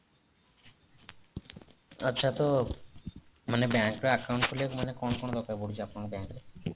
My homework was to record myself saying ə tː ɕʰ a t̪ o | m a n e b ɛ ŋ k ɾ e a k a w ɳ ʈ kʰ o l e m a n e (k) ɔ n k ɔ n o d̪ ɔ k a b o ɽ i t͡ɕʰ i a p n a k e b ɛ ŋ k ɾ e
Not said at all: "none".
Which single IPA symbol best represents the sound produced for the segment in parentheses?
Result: k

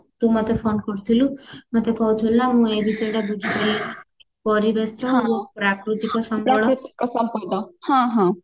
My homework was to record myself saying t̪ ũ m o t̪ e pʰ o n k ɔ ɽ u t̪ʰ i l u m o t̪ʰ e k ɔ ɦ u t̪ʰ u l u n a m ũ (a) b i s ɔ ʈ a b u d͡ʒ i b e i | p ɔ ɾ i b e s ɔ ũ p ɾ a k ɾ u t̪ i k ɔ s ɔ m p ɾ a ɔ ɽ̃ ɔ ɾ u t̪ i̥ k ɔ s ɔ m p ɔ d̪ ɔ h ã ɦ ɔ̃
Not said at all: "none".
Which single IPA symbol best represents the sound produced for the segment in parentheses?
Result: e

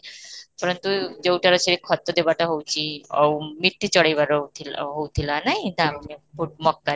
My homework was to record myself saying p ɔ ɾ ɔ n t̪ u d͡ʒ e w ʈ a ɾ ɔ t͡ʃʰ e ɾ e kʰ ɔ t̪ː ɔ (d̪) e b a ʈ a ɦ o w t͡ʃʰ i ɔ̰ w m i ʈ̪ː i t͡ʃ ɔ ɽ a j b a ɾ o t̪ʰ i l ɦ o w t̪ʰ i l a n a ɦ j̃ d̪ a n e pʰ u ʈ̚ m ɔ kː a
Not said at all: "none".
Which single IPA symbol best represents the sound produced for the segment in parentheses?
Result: d̪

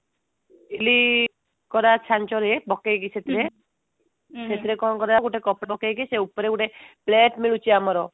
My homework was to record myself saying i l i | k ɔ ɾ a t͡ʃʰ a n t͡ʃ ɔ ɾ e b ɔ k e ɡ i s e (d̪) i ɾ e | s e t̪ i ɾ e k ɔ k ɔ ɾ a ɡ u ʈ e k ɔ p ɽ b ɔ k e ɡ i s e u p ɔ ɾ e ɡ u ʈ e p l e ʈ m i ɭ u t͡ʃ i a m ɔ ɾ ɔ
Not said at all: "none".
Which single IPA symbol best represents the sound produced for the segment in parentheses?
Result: t̪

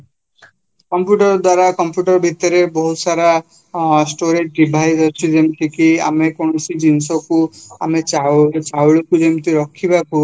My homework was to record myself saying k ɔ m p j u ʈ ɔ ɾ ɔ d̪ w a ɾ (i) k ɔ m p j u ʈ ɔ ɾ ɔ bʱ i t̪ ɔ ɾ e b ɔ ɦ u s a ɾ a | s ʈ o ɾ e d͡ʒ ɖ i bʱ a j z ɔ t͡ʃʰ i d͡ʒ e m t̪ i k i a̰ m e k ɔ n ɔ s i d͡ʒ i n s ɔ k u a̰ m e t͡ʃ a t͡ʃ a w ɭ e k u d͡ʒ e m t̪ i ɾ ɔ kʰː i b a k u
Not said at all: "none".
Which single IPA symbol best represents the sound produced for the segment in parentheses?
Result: a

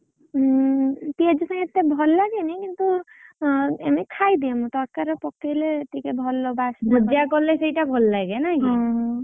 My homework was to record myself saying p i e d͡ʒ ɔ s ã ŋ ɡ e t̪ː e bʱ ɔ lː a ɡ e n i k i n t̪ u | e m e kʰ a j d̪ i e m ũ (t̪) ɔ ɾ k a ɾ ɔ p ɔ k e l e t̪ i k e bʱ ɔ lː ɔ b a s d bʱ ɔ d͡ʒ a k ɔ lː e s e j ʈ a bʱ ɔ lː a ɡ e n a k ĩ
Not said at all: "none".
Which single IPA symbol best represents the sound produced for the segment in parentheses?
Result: t̪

